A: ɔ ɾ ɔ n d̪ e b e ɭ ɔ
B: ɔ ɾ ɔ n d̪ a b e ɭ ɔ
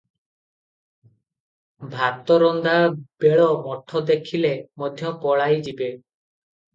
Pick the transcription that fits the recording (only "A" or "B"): B